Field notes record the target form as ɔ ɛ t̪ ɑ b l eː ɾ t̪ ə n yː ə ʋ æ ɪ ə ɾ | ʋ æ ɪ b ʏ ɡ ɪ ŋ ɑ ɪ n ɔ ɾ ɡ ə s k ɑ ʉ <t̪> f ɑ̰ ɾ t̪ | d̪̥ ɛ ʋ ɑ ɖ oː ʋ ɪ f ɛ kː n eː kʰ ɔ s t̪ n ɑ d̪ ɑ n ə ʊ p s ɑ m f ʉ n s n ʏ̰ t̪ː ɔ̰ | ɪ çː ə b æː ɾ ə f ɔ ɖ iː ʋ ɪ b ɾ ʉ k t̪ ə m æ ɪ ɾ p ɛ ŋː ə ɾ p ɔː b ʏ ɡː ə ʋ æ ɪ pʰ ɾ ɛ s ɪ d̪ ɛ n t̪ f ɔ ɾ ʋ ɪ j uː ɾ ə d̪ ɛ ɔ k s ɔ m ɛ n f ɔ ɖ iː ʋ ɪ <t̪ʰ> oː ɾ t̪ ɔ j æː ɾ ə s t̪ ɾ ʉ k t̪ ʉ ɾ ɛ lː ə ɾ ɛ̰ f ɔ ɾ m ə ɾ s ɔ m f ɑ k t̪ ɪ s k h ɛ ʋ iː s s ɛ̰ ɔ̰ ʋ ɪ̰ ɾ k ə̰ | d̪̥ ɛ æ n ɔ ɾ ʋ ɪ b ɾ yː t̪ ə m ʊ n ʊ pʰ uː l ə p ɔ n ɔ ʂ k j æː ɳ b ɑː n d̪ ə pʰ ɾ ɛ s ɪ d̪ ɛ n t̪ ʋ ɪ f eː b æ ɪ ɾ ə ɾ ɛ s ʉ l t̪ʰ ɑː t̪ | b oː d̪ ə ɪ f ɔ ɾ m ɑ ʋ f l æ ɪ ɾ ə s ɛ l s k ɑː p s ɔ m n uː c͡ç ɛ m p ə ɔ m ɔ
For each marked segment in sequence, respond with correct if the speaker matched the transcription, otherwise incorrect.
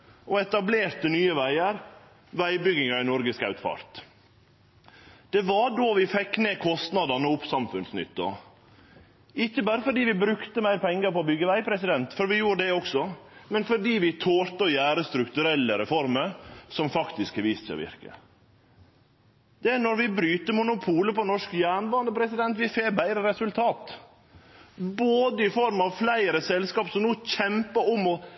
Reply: correct, correct

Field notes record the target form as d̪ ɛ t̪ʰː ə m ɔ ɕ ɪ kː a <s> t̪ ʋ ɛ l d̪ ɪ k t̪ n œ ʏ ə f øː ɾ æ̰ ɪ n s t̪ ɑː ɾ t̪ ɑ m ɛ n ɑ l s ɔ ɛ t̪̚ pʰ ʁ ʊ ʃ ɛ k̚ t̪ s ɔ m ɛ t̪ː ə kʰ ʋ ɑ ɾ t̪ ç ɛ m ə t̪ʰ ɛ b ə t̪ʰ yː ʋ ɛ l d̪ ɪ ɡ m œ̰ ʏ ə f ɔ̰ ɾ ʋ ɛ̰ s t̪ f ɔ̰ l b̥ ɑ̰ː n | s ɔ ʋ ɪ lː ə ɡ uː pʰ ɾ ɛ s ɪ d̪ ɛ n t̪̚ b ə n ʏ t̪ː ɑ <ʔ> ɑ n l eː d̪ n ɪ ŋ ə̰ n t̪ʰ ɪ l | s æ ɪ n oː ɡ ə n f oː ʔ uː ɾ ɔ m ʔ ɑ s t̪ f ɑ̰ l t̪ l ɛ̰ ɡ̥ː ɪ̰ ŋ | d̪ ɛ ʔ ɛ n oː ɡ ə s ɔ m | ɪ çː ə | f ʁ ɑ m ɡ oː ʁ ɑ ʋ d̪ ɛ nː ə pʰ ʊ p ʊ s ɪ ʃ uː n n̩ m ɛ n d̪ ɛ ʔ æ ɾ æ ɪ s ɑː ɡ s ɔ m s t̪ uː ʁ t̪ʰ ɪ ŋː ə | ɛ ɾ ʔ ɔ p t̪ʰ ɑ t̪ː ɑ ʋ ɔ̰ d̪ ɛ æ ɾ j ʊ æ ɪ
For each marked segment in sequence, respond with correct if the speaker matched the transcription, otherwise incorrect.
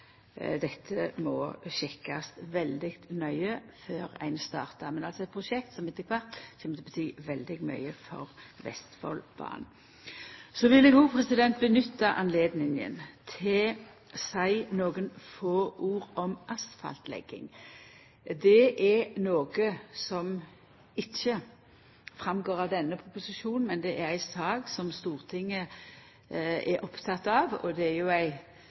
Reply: correct, correct

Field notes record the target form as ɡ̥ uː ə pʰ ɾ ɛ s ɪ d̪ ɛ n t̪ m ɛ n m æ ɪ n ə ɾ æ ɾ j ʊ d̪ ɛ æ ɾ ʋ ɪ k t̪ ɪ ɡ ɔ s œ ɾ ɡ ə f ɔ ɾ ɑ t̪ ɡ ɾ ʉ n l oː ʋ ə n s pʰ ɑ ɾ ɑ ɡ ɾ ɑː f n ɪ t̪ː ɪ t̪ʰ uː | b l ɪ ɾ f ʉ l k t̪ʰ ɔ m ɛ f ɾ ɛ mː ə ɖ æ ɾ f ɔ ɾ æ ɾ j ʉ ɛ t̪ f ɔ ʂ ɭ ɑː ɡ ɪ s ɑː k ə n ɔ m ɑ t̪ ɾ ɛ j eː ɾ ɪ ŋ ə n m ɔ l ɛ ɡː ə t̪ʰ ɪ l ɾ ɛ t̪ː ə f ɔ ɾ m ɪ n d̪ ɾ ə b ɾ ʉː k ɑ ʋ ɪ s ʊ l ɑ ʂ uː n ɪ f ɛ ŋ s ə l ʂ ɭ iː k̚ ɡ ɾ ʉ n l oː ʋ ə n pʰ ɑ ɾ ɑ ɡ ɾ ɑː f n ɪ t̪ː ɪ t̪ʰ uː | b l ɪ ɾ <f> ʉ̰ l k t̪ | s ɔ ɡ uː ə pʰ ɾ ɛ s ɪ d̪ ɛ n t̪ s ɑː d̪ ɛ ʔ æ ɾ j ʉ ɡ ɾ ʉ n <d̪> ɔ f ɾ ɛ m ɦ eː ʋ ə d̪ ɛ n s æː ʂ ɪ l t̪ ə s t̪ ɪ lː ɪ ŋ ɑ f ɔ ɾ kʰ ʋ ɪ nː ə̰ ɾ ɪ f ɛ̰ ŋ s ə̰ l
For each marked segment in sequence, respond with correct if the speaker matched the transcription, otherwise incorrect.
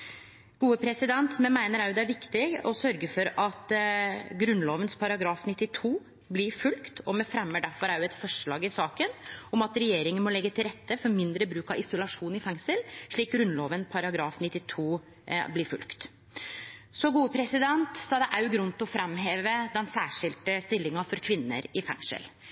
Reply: correct, incorrect

